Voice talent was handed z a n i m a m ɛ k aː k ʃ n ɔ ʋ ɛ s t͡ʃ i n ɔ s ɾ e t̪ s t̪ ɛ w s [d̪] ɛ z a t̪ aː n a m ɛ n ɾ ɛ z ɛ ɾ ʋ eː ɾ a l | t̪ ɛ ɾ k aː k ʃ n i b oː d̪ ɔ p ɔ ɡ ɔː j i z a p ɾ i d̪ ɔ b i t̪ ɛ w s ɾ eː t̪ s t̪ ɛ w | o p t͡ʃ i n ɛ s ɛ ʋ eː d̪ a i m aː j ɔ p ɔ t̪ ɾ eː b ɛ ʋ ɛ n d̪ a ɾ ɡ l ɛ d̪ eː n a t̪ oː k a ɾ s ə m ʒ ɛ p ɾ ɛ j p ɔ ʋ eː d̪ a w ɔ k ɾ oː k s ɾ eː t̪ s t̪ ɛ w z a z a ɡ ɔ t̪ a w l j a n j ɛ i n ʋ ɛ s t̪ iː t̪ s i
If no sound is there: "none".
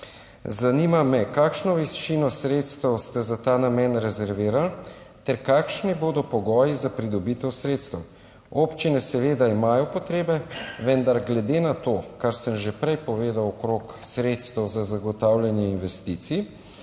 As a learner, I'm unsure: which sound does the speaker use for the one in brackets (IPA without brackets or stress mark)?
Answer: t̪